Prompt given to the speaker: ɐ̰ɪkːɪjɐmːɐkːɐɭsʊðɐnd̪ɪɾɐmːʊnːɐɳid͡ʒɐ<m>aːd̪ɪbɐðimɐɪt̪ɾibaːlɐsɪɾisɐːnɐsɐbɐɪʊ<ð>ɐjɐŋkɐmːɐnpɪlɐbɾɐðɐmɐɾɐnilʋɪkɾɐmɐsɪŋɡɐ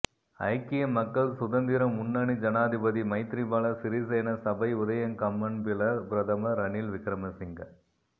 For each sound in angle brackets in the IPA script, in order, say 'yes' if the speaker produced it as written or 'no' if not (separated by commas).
no, yes